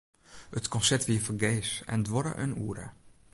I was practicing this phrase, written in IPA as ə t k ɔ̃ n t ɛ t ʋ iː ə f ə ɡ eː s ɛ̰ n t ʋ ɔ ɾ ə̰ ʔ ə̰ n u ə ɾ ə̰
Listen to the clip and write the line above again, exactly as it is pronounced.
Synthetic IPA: ə t k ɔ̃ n s ɛ t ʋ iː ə f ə ɡ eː s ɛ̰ n d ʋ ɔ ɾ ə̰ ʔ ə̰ n u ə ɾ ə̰